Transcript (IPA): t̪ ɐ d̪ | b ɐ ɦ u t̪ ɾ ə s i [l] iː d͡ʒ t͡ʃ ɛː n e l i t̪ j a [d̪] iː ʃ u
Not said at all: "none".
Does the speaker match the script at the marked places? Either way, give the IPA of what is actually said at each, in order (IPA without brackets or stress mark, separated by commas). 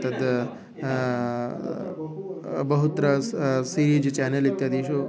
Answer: ɾ, d̪